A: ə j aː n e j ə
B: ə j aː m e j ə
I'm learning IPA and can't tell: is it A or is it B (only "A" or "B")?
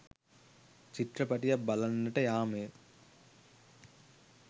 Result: B